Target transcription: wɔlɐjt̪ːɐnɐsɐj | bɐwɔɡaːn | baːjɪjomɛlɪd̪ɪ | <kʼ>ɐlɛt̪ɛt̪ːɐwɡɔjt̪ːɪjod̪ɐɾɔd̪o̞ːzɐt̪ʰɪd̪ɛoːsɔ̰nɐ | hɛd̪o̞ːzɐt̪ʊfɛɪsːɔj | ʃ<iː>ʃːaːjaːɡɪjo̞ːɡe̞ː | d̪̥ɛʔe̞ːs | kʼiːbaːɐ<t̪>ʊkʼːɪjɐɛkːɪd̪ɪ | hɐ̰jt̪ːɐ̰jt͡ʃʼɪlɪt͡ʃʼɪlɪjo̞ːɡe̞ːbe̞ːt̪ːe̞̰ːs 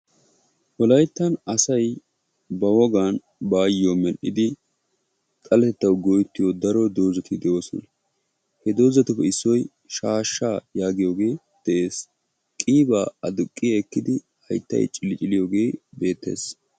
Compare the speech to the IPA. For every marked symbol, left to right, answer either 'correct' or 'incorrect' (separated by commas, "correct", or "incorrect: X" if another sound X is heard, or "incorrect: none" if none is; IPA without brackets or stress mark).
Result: correct, incorrect: aː, incorrect: d̪